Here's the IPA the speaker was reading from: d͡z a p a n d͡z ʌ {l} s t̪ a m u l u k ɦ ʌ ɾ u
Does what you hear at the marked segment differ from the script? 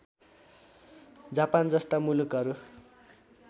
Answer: yes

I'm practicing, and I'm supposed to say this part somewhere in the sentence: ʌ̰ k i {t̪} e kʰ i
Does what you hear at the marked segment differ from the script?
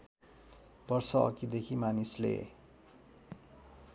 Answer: yes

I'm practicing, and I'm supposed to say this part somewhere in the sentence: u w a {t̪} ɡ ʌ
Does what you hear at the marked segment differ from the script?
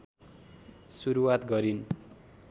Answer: no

